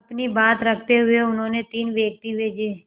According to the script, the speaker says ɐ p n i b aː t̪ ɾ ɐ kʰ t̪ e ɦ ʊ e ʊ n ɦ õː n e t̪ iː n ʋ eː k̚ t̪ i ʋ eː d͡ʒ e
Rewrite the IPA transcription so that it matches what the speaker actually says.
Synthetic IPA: ɐ p n i b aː t̪ ɾ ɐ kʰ t̪ e ɦ ʊ e ʊ n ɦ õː n e t̪ iː n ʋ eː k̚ t̪ i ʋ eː d͡ʒ e